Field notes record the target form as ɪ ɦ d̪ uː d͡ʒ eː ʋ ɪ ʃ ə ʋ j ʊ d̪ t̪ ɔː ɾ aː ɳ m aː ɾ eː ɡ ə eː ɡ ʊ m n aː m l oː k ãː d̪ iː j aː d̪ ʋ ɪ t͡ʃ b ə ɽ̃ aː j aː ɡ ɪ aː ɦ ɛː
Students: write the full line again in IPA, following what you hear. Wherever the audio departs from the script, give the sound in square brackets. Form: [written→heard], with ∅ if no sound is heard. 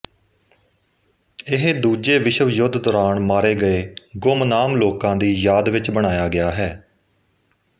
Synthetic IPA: ɪ ɦ d̪ uː d͡ʒ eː ʋ ɪ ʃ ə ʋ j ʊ d̪ [t̪→d̪] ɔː ɾ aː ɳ m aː ɾ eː ɡ ə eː ɡ ʊ m n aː m l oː k ãː d̪ iː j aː d̪ ʋ ɪ t͡ʃ b ə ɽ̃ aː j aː ɡ ɪ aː ɦ ɛː